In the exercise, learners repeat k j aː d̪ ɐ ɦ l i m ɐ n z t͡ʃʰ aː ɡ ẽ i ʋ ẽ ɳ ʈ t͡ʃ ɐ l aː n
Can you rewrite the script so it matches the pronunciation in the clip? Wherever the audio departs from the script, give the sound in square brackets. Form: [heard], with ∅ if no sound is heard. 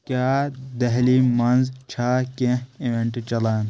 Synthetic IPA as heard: k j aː d̪ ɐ ɦ l i m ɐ n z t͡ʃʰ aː [k] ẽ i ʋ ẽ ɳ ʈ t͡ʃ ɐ l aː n

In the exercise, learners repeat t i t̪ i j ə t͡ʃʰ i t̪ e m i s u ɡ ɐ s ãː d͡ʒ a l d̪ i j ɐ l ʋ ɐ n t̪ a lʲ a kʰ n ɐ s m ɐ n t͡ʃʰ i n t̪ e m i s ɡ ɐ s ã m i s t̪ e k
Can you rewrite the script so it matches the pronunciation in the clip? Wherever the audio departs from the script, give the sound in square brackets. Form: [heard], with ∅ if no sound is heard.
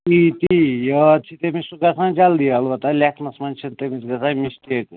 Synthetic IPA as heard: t i t̪ i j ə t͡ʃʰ i t̪ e m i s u ɡ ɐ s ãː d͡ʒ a l d̪ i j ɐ l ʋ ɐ [∅] t̪ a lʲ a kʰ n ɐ s m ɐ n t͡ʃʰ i n t̪ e m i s ɡ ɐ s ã m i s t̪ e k

